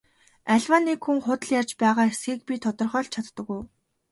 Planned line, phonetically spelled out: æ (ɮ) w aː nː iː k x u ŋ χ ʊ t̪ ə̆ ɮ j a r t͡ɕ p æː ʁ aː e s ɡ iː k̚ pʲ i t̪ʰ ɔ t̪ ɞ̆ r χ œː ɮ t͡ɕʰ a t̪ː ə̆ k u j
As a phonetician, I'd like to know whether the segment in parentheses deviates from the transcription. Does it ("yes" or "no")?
no